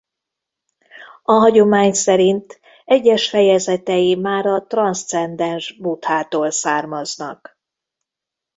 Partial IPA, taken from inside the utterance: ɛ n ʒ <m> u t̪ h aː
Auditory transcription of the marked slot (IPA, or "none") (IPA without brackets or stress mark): b